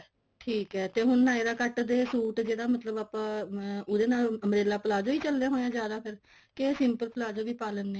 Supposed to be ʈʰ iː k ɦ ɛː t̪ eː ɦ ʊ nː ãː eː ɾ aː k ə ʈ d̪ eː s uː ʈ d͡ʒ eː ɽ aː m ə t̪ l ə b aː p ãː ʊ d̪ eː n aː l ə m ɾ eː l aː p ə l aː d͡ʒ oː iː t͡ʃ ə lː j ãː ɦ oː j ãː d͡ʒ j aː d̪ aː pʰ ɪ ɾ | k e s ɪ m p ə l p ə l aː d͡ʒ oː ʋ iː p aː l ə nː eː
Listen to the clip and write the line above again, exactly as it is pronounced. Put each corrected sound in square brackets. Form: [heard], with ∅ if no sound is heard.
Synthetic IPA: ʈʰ iː k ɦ ɛː t̪ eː ɦ ʊ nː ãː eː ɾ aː k ə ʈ d̪ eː s uː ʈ d͡ʒ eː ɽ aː m ə t̪ l ə b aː p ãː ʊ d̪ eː n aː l ə m ɾ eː l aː p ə l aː d͡ʒ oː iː t͡ʃ ə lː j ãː ɦ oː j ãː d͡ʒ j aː d̪ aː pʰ ɪ ɾ | k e s ɪ m p ə l p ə l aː d͡ʒ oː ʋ iː p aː l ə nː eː